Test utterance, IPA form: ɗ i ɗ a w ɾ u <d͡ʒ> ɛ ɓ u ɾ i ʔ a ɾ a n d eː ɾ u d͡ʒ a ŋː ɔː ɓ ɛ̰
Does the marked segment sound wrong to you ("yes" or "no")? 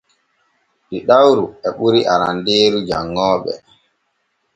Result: yes